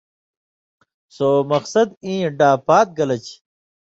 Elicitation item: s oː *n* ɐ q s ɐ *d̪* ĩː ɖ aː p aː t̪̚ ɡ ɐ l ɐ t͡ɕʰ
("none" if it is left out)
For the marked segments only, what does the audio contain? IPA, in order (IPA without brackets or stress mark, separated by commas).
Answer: m, d̪